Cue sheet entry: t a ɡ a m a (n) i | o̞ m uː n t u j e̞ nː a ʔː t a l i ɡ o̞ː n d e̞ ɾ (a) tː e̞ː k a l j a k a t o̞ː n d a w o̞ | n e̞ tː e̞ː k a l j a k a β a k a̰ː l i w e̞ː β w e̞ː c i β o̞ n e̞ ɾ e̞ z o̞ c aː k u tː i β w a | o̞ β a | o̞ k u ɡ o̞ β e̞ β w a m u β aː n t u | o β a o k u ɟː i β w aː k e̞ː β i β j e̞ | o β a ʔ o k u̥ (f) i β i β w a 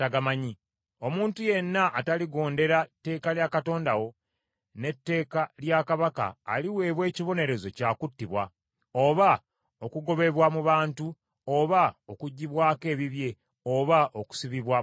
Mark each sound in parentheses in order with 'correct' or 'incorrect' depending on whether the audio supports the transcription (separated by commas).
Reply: incorrect, correct, incorrect